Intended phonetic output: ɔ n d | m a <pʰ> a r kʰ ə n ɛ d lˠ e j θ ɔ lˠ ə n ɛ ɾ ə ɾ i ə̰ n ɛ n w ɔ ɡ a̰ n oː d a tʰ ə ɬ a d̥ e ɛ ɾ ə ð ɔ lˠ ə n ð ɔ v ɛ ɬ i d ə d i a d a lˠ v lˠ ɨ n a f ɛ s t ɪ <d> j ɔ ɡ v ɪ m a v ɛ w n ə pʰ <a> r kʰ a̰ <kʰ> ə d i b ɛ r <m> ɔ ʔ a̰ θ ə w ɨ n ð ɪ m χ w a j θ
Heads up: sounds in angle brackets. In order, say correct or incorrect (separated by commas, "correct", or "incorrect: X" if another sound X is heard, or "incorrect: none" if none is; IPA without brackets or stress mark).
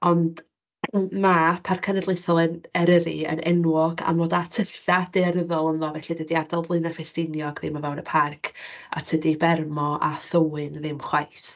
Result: correct, incorrect: n, correct, incorrect: tʰ, correct